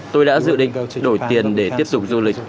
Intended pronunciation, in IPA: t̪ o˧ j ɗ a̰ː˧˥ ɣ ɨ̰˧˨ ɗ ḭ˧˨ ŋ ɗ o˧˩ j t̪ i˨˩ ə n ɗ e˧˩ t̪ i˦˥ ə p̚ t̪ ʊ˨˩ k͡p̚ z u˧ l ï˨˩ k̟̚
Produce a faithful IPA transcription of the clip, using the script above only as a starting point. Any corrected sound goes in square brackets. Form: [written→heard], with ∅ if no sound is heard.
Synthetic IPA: t̪ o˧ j ɗ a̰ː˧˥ [ɣ→z] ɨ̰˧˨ ɗ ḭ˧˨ ŋ ɗ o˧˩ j t̪ i˨˩ ə n ɗ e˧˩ t̪ i˦˥ ə p̚ t̪ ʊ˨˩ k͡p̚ z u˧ l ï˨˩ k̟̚

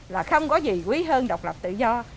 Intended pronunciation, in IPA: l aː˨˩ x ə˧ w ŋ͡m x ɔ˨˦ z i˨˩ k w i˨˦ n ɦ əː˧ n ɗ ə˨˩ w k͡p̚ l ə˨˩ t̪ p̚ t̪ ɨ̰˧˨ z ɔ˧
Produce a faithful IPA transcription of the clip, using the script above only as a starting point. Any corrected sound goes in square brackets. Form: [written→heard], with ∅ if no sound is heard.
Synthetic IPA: l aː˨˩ x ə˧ w ŋ͡m [x→k] ɔ˨˦ z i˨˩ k w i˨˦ [n→∅] ɦ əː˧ n ɗ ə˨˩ w k͡p̚ l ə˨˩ [t̪→∅] p̚ t̪ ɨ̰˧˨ z ɔ˧

